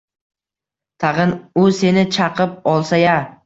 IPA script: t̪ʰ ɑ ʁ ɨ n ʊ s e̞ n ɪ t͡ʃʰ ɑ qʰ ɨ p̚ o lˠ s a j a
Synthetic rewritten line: t̪ʰ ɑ ʁ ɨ n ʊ s e̞ n ɪ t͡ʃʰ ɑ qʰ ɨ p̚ ɒ lˠ s a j a